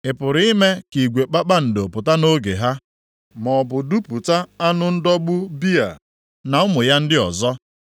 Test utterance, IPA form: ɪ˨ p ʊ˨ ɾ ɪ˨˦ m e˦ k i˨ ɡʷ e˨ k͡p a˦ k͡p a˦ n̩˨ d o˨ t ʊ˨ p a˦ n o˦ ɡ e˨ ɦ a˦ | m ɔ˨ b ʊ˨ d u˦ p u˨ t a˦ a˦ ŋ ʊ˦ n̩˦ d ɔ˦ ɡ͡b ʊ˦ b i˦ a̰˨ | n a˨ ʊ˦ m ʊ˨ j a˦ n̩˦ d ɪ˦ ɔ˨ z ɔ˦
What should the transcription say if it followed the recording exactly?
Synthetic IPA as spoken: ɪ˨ p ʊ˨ ɾ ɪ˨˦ m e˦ k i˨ ɡʷ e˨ k͡p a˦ k͡p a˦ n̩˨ d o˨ p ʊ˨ t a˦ n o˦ ɡ e˨ ɦ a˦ | m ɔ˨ b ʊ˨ d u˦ p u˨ t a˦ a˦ n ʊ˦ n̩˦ d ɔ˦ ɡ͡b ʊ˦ b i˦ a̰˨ | n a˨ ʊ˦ m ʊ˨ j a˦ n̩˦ d ɪ˦ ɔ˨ z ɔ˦